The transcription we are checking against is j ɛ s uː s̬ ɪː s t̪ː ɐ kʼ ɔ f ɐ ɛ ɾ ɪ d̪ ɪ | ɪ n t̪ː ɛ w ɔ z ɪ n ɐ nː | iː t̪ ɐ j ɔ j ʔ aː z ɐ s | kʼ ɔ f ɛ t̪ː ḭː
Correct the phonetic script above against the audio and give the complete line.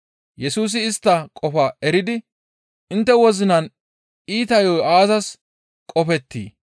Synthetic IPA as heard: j ɛ s uː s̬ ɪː s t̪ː ɐ kʼ ɔ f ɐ ɛ ɾ ɪ d̪ ɪ | ɪ n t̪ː ɛ w ɔ z ɪ n ɐ n | iː t̪ ɐ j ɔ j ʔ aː z ɐ s | kʼ ɔ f ɛ t̪ː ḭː